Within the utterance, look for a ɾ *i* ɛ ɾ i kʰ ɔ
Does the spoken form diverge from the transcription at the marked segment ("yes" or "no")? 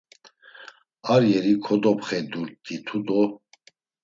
yes